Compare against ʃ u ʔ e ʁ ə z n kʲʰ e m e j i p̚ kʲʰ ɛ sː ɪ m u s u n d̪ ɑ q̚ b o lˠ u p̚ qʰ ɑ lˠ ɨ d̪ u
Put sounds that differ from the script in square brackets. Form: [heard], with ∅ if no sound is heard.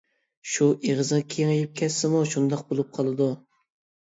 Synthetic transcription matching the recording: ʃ u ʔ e ʁ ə z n kʲʰ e [ŋ] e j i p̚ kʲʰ ɛ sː ɪ m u [ʃ] u n d̪ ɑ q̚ b o lˠ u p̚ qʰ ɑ lˠ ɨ d̪ u